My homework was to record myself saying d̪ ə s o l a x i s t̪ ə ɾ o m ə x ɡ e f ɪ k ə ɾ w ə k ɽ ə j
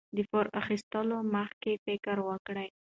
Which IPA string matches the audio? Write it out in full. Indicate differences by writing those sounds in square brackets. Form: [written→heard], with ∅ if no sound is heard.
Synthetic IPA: d̪ ə [s→f] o [l→ɾ] a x i s t̪ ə [ɾ→l] o m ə x [ɡ→k] e f ɪ k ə ɾ w ə k ɽ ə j